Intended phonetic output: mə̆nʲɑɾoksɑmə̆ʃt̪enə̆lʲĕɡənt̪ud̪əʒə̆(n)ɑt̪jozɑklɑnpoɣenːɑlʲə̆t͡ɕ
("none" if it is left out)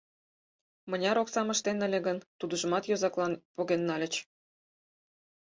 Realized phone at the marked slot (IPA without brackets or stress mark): m